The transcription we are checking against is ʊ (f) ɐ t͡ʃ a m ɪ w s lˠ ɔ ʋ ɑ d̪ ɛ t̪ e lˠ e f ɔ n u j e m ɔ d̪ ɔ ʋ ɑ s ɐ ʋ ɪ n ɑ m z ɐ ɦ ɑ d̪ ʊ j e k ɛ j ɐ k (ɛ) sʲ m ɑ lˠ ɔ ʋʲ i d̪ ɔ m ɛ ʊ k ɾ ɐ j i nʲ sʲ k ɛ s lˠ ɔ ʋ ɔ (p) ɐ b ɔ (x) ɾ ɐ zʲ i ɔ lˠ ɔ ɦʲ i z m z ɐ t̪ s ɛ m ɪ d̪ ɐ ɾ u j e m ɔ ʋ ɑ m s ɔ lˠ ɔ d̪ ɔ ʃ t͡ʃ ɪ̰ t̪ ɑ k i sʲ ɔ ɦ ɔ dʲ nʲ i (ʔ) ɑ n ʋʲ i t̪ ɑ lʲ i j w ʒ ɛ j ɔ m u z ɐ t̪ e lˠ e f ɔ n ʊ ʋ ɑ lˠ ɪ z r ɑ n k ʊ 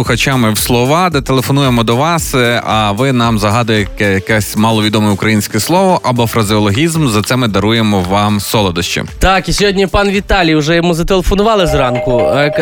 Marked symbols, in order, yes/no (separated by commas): no, yes, no, no, no